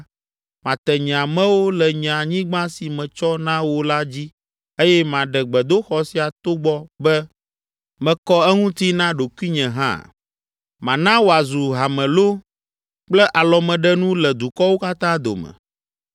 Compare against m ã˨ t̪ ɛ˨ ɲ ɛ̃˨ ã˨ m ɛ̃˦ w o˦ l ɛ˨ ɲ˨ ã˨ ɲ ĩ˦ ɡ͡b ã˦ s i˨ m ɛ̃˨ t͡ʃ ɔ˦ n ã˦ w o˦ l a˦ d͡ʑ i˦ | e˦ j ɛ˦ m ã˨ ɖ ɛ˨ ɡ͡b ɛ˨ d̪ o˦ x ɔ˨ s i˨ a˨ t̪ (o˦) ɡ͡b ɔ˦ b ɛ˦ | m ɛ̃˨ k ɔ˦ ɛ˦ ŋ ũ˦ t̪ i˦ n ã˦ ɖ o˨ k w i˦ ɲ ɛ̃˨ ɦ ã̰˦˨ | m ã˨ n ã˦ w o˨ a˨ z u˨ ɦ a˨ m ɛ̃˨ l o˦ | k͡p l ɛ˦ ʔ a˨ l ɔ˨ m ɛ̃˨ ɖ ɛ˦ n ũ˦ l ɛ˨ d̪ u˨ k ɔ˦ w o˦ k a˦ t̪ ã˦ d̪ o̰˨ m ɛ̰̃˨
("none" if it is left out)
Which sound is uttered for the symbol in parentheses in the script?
o˦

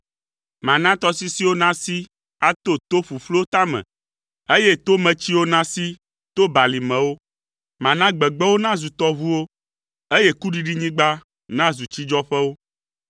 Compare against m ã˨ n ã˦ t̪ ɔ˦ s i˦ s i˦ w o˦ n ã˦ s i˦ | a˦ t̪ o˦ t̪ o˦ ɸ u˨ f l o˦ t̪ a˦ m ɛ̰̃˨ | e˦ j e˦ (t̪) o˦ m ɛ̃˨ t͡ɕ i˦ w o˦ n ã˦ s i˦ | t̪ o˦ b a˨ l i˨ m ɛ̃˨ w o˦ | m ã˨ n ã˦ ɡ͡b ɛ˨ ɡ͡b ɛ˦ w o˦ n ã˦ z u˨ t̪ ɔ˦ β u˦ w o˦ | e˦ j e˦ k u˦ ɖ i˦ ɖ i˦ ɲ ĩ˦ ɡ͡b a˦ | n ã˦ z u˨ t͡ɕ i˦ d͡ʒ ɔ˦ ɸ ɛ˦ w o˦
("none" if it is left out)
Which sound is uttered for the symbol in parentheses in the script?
t̪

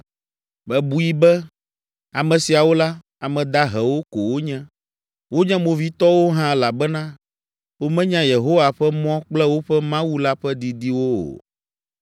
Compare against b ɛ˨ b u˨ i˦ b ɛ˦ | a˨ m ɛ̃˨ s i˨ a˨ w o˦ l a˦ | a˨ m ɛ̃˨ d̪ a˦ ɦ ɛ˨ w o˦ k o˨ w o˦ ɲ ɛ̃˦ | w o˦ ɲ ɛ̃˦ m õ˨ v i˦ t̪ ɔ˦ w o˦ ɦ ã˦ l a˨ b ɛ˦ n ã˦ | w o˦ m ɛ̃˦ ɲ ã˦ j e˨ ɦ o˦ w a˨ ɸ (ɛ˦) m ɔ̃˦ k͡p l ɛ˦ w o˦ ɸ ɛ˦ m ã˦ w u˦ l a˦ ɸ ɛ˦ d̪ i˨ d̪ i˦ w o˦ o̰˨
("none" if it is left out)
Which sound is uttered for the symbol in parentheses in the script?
ɛ˦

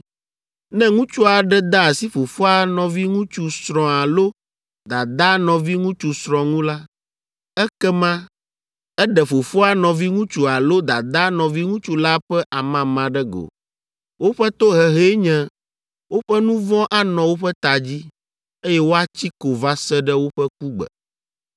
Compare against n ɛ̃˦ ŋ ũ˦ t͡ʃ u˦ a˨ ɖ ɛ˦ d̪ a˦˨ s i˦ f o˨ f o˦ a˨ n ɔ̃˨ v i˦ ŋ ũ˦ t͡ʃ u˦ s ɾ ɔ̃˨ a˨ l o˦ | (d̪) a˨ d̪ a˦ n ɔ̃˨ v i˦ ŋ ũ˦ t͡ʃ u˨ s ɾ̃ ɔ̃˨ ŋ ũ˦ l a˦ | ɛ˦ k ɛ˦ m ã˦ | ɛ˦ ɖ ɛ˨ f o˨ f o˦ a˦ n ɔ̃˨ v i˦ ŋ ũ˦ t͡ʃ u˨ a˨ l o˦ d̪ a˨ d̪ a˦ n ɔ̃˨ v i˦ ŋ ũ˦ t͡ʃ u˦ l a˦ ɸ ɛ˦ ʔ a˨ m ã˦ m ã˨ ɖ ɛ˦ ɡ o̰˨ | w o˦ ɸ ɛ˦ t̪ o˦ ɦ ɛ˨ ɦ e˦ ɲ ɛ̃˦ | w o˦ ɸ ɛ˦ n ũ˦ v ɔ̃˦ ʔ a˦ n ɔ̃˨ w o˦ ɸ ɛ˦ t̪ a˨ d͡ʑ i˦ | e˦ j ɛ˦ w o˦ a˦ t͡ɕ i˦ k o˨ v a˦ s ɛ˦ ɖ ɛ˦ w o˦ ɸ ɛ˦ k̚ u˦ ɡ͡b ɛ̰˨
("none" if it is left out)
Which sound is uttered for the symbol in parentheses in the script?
d̪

